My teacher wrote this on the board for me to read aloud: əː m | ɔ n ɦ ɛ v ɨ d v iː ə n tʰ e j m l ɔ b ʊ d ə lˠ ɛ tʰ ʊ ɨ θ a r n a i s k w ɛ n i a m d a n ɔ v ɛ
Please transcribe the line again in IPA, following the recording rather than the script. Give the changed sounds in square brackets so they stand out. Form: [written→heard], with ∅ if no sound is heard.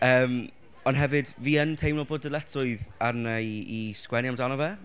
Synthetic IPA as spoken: əː m | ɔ n ɦ ɛ v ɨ d v iː ə n tʰ e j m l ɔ b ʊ d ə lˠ ɛ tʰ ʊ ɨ [θ→ð] a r n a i s k w ɛ n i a m d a n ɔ v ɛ